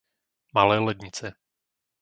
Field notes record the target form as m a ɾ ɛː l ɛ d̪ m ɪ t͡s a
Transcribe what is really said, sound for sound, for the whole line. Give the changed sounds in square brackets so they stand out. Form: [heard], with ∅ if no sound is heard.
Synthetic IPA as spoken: m a [l] ɛː l ɛ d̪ [ɲ] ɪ t͡s [ɛ]